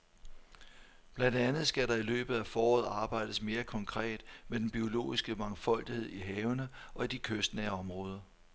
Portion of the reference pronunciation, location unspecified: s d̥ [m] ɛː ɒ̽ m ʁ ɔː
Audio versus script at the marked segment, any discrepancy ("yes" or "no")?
yes